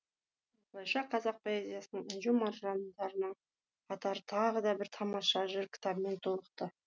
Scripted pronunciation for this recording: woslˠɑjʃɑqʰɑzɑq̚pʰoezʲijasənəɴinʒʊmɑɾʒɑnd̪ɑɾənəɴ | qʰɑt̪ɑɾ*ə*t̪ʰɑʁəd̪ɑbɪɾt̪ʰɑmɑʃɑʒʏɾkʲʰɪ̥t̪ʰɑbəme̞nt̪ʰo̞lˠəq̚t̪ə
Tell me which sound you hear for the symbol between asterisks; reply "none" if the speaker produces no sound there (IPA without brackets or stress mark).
ə